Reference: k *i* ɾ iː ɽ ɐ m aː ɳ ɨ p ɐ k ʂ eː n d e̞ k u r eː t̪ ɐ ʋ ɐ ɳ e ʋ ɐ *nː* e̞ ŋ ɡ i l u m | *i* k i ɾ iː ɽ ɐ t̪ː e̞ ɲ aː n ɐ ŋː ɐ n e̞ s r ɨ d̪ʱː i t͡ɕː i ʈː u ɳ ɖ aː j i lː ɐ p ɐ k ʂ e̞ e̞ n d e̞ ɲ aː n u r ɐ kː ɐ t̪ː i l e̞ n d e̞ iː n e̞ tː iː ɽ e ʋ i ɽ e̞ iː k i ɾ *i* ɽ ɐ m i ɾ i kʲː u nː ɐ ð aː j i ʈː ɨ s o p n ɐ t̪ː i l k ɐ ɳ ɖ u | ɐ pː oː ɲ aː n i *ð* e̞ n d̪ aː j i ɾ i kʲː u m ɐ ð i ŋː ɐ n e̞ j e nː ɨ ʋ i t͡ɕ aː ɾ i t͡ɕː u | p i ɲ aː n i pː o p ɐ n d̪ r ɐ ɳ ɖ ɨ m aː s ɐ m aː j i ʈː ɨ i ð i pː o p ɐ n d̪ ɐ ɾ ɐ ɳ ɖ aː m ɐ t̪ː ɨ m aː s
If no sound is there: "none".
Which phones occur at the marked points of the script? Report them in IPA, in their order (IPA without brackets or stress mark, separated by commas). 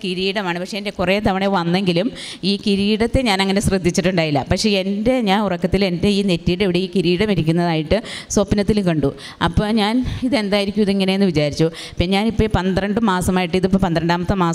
i, nː, iː, iː, ð